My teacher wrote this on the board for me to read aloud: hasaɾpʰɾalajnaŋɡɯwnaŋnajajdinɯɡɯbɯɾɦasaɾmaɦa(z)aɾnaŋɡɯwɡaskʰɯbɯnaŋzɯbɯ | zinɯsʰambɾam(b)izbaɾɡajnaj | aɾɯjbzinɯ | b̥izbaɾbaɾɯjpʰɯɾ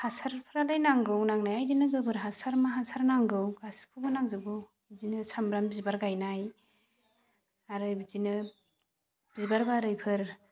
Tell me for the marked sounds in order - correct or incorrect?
incorrect, correct

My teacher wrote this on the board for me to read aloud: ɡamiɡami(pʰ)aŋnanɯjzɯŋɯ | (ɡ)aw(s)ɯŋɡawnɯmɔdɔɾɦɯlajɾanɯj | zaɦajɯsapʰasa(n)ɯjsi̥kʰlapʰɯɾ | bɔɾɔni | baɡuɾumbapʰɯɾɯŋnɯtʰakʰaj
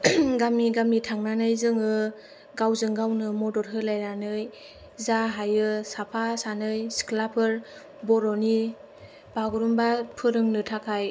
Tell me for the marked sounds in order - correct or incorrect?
incorrect, correct, incorrect, correct

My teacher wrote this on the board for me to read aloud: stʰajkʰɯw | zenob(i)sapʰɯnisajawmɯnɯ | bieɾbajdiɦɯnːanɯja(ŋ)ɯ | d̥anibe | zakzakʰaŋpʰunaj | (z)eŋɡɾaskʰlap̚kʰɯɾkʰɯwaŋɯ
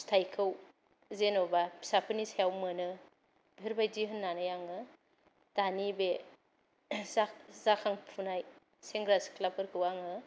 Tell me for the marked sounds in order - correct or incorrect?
incorrect, correct, incorrect

